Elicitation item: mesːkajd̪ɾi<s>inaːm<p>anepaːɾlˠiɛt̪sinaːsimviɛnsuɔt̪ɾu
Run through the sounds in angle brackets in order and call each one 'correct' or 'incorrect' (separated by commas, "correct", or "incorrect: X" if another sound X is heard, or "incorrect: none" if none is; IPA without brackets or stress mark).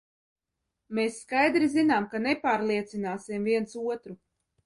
incorrect: z, incorrect: k